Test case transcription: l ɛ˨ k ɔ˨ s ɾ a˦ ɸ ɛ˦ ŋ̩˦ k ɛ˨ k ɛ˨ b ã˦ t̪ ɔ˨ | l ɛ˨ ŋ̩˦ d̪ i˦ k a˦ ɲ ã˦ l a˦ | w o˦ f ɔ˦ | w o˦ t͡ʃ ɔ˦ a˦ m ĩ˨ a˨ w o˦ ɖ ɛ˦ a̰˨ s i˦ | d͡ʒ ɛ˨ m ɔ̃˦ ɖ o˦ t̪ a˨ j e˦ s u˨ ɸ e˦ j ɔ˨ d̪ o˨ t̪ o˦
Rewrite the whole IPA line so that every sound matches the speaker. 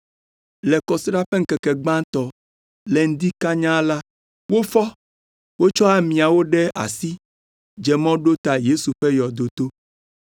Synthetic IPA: l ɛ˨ k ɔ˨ s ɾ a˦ ɸ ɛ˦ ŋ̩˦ k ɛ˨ k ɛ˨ ɡ͡b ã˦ t̪ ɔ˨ | l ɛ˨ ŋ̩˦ d̪ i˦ k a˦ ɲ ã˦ l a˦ | w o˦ f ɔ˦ | w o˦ t͡ʃ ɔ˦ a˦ m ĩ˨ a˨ w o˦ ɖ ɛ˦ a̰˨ s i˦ | d͡ʒ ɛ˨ m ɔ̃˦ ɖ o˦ t̪ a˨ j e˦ s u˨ ɸ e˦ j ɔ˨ d̪ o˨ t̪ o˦